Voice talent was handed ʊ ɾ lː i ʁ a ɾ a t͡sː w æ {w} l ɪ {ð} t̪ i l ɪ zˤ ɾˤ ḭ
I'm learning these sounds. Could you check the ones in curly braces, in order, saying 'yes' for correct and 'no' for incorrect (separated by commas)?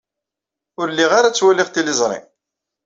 no, no